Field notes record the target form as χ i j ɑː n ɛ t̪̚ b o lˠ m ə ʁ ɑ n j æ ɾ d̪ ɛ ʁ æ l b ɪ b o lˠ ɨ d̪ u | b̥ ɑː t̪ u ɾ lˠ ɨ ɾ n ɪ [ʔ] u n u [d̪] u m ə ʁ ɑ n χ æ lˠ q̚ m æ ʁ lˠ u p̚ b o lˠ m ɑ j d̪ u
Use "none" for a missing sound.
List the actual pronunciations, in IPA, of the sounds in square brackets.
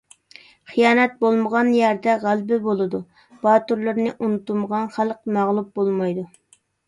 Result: ʔ, t̪

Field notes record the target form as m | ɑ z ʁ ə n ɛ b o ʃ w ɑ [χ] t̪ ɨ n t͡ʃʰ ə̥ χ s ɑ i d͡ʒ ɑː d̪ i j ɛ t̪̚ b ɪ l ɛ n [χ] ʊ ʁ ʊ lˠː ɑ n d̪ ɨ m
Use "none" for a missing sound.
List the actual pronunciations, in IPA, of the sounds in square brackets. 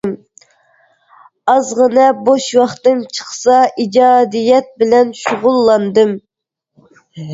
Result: χ, ʃ

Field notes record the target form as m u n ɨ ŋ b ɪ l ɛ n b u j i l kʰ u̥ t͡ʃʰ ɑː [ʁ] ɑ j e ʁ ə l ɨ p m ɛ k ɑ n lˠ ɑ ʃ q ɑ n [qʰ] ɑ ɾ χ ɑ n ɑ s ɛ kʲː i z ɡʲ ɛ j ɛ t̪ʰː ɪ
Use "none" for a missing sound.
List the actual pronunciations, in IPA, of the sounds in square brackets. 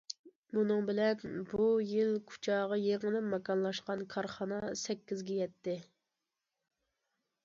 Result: ʁ, kʰ

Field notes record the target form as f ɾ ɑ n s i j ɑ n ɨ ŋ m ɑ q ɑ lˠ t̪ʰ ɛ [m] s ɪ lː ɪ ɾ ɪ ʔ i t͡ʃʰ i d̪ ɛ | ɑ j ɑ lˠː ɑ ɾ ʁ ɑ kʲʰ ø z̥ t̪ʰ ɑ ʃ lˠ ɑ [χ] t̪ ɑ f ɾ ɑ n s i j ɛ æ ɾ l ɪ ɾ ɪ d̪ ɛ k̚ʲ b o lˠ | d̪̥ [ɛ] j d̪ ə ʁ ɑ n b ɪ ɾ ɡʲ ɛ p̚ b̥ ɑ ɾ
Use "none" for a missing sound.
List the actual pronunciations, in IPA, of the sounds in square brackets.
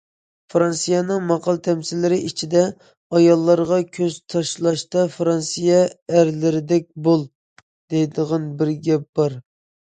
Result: m, ʃ, e

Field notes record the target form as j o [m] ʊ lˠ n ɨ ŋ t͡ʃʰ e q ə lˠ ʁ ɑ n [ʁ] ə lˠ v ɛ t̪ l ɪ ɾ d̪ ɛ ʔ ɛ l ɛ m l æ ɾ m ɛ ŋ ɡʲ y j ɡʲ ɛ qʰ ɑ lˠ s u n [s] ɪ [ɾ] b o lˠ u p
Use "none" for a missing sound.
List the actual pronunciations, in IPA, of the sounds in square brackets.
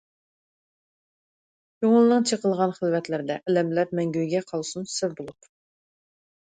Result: ŋ, χ, s, ɾ

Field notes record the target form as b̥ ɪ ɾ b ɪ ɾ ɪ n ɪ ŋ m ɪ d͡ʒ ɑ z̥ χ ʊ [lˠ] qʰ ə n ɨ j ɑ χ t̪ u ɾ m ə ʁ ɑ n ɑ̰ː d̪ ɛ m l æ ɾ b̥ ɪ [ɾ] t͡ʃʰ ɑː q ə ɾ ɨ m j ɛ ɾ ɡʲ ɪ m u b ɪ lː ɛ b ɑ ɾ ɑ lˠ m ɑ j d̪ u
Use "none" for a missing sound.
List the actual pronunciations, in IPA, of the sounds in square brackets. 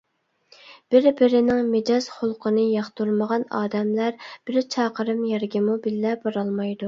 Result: lˠ, ɾ

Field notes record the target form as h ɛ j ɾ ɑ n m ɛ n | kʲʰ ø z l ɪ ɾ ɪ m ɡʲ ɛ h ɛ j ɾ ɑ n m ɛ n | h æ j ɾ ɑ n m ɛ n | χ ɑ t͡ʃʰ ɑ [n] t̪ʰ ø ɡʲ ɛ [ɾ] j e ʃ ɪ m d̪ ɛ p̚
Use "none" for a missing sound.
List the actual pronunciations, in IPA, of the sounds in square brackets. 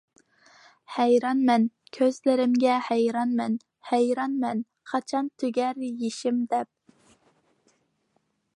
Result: n, ɾ

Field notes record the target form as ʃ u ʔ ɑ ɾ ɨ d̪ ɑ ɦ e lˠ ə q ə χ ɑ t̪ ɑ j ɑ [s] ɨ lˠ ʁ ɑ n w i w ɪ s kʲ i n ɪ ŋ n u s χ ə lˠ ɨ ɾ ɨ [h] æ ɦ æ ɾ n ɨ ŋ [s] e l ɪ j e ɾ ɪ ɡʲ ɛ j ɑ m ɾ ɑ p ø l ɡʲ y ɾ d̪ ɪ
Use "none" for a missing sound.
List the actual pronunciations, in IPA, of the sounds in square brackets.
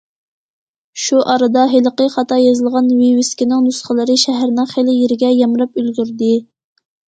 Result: z, ʃ, χ

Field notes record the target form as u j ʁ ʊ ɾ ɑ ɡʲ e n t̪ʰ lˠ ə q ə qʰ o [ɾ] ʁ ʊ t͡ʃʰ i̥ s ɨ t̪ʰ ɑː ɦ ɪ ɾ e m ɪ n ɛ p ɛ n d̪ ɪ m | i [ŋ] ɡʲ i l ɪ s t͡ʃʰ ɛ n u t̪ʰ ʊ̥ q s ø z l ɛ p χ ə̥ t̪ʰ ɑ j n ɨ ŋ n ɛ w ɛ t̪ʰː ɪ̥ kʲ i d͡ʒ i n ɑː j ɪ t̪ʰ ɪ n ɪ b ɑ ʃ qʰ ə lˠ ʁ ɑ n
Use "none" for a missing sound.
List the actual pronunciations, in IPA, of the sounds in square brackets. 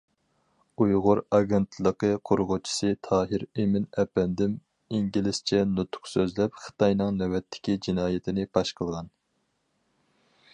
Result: ɾ, ŋ

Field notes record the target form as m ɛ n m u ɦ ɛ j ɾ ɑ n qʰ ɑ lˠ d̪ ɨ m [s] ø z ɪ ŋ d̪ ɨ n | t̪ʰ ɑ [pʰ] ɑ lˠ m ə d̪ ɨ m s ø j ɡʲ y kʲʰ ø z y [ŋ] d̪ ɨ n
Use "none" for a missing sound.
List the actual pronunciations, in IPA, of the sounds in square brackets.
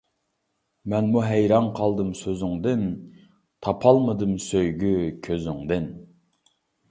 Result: s, pʰ, ŋ

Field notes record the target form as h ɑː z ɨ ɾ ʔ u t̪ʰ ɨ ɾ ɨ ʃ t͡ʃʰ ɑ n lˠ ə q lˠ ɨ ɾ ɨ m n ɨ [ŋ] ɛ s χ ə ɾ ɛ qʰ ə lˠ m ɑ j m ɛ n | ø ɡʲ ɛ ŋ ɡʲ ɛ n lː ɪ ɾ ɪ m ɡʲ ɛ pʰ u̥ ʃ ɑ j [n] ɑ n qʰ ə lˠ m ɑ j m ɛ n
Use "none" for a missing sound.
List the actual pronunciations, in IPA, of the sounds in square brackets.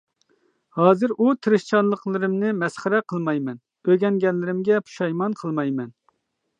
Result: m, m

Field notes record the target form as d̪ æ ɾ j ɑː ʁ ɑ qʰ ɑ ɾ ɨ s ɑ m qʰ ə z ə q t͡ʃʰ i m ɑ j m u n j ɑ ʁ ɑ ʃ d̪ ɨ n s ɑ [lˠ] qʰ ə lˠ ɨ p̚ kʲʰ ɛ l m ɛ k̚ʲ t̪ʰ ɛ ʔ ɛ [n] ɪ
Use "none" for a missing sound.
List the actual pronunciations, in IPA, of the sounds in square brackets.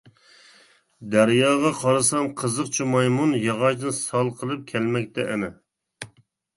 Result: lˠ, n

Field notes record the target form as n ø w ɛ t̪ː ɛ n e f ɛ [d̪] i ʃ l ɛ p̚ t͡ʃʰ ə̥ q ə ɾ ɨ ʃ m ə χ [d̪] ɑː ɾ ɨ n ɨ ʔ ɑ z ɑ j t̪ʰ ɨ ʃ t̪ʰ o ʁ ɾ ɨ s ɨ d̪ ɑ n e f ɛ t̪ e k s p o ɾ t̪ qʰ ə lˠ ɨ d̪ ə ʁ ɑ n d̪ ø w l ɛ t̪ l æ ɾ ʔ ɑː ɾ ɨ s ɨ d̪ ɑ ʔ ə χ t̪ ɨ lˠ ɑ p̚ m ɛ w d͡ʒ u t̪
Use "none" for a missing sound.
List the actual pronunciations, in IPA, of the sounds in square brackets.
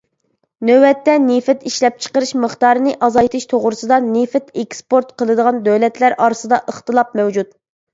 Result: t̪, t̪

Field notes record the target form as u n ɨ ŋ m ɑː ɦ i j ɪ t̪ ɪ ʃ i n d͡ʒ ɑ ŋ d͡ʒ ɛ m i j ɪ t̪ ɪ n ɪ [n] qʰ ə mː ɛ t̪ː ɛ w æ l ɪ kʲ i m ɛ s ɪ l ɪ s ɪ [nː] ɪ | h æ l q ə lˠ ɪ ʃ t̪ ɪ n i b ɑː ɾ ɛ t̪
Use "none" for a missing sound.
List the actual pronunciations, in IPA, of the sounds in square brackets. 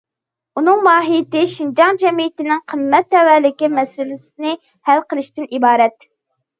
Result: ŋ, n

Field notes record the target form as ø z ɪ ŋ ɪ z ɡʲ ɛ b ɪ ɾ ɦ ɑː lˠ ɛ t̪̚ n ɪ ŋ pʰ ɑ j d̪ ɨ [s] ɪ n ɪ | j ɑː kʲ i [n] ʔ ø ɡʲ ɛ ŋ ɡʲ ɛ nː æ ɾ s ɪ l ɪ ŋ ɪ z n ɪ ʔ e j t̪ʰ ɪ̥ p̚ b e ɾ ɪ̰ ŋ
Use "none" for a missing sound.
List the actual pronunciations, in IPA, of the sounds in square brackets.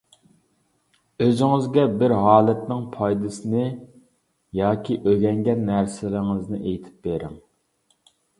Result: s, none

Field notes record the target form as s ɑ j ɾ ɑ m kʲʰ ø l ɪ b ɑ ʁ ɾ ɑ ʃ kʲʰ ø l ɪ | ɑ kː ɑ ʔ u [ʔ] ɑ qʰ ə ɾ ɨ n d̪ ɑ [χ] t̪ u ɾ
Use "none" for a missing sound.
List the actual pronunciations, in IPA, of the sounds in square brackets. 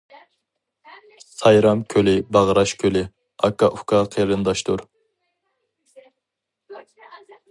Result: k, ʃ

